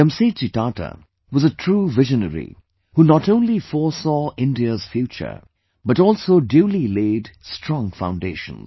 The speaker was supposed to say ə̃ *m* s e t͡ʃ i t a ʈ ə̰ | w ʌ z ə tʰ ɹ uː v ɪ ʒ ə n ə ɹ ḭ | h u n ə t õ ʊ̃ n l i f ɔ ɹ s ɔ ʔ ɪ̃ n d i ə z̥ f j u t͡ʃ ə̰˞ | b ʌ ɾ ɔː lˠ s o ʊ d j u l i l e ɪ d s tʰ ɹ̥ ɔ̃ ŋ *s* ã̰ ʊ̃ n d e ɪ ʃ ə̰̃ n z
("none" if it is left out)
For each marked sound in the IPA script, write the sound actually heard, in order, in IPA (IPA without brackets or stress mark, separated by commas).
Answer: m, f